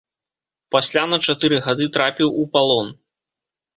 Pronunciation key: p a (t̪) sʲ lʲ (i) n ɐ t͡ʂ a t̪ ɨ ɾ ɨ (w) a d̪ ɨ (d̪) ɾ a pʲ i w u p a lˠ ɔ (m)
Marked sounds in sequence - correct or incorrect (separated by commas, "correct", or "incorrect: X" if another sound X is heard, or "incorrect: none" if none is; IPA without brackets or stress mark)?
incorrect: none, incorrect: a, incorrect: ɣ, incorrect: t̪, incorrect: n